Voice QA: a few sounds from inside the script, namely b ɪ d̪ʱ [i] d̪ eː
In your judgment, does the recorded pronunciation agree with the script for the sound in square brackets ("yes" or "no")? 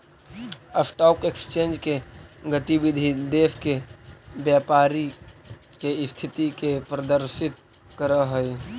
yes